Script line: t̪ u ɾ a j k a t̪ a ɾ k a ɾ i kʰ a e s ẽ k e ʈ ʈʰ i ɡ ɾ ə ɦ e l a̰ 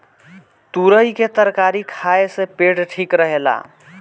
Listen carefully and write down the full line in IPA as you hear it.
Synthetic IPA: t̪ u ɾ ə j k e t̪ ə ɾ k a ɾ i kʰ a e s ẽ p e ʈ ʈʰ i k ɾ ə ɦ e l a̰